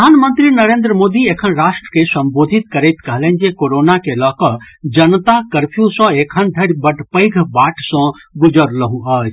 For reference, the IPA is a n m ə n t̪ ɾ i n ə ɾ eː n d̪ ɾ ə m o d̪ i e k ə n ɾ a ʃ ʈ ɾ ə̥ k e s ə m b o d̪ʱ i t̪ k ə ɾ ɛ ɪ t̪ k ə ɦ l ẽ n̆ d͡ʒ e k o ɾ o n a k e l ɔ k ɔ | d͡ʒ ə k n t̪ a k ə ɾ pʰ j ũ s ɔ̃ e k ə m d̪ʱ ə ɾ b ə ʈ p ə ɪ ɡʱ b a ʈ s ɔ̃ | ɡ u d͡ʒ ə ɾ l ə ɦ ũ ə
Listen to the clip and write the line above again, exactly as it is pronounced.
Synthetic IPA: a n m ə n t̪ ɾ i n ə ɾ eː n d̪ ɾ ə m o d̪ i e kʰ ə n ɾ a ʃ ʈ ɾ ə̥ k e s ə m b o d̪ʱ i t̪ k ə ɾ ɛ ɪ t̪ k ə ɦ l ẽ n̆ d͡ʒ e k o ɾ o n a k e l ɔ k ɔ | d͡ʒ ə n t̪ a k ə ɾ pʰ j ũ s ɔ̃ e kʰ ə n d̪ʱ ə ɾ b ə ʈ p ə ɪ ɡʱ b a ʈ s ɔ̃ | ɡ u d͡ʒ ə ɾ l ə ɦ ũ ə